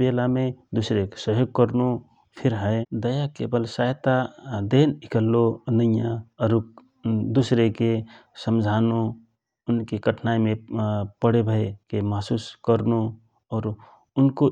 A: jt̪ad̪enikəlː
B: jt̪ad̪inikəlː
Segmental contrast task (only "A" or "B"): A